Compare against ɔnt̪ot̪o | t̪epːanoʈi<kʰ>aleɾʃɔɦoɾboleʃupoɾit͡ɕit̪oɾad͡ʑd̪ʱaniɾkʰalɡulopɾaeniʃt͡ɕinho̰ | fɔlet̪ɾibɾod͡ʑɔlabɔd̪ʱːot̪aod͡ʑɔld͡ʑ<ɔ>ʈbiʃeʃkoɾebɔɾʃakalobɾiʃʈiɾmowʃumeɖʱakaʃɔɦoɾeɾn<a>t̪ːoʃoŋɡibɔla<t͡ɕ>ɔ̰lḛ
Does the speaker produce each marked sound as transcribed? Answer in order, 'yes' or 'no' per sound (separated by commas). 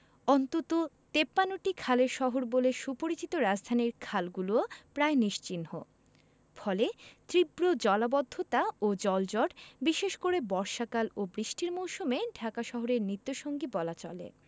yes, yes, no, yes